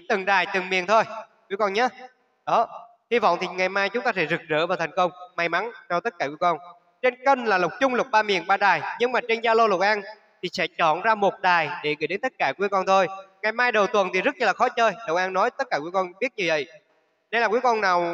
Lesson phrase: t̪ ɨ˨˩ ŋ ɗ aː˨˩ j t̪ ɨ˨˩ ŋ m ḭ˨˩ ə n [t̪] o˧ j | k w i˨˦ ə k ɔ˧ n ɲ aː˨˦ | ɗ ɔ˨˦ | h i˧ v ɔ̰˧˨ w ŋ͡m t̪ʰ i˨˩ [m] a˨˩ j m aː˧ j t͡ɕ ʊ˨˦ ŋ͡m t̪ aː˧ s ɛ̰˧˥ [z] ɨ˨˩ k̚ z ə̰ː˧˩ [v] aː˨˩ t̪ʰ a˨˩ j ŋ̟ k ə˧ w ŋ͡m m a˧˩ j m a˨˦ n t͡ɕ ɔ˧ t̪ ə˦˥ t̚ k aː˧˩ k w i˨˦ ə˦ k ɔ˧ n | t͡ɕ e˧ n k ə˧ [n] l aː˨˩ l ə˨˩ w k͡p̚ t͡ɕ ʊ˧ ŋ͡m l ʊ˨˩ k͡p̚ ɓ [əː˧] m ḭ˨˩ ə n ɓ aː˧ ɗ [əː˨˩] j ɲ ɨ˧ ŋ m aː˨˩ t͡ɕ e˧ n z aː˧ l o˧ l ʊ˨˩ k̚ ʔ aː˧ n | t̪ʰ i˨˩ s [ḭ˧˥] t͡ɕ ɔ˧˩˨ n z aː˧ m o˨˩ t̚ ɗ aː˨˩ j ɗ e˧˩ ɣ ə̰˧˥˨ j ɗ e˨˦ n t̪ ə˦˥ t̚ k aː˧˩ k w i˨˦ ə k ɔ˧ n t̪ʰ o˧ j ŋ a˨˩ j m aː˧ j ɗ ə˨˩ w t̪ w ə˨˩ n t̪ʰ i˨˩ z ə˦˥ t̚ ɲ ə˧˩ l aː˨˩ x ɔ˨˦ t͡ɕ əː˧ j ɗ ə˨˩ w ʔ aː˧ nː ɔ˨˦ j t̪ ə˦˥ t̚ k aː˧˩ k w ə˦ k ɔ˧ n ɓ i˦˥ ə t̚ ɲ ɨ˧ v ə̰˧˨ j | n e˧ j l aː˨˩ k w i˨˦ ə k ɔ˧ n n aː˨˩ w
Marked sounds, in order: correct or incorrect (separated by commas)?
incorrect, incorrect, correct, correct, correct, incorrect, incorrect, incorrect